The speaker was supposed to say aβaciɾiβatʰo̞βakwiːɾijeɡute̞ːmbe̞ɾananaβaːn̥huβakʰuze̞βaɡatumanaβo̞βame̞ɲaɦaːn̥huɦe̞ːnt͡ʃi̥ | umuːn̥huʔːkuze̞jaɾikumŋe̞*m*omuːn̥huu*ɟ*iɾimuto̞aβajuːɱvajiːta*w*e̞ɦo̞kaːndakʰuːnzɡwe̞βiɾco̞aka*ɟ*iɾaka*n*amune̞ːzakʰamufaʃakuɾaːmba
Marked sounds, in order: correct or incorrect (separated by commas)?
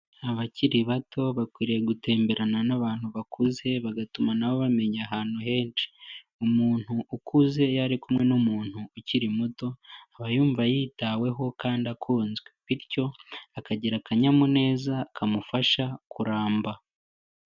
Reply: incorrect, incorrect, correct, correct, incorrect